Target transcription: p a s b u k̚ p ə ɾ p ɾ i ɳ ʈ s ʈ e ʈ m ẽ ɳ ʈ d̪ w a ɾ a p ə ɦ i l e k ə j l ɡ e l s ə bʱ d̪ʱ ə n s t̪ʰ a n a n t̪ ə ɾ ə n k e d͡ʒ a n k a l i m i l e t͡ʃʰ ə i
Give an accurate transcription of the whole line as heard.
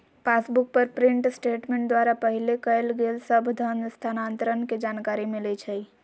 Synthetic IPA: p a s b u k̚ p ə ɾ p ɾ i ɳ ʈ s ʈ e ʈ m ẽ ɳ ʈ d̪ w a ɾ a p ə ɦ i l e k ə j l ɡ e l s ə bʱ d̪ʱ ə n s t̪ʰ a n a n t̪ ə ɾ ə n k e d͡ʒ a n k a ɾ i m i l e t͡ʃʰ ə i